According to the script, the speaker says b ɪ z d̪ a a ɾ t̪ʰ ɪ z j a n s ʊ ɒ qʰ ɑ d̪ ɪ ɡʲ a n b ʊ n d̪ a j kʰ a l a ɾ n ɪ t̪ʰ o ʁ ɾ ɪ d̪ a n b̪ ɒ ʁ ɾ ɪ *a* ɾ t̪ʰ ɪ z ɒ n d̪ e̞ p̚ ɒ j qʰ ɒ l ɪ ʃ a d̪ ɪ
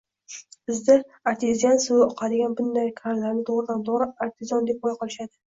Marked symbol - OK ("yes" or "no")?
yes